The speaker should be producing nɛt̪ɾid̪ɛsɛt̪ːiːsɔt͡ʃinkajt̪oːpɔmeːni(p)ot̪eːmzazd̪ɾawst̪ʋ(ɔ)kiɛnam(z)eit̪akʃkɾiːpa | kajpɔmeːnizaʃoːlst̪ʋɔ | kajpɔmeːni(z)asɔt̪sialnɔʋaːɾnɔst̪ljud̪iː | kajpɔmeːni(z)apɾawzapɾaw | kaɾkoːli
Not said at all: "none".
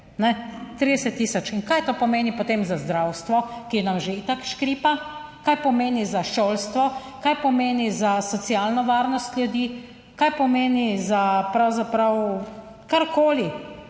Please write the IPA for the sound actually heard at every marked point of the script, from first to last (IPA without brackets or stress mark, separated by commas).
p, ɔ, ʒ, z, z